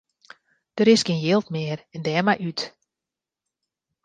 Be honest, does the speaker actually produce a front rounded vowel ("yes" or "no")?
yes